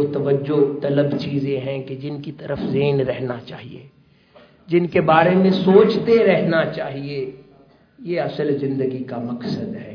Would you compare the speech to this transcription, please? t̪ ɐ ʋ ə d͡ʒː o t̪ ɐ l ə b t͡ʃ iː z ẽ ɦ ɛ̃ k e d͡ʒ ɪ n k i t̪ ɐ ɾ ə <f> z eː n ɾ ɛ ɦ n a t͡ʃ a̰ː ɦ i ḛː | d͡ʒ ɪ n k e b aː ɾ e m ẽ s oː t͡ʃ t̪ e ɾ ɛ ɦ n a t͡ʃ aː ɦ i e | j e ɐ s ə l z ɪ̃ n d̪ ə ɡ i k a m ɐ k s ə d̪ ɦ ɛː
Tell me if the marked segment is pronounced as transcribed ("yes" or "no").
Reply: yes